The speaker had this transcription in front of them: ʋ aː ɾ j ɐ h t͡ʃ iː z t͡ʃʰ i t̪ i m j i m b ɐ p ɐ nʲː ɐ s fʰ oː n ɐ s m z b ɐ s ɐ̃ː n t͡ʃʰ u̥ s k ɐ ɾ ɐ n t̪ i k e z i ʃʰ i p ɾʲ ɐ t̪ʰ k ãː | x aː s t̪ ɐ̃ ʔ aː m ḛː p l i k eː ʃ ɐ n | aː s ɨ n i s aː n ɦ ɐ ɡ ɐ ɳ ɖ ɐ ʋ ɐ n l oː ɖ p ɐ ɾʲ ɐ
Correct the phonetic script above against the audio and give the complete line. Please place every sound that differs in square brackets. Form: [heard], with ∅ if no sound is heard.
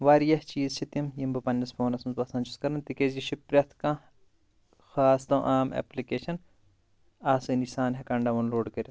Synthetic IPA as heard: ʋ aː ɾ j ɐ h t͡ʃ iː z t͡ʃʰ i t̪ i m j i m b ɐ p ɐ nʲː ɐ s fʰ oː n ɐ s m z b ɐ s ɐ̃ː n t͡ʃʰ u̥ s k ɐ ɾ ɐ n t̪ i k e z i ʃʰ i p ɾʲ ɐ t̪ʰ k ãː | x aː s t̪ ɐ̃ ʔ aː m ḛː p l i k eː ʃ ɐ n | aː s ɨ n i s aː n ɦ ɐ [k] ɐ ɳ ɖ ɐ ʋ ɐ n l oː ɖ [k] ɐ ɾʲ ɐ